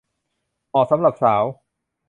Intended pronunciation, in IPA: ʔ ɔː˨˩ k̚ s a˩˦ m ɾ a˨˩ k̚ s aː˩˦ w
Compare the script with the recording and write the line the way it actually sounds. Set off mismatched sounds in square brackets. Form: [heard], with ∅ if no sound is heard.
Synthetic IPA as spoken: ʔ ɔː˨˩ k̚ s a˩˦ m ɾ a˨˩ [p̚] s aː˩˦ w